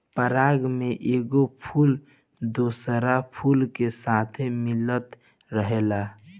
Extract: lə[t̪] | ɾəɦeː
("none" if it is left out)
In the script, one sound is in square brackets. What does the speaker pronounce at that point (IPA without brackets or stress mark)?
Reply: t̪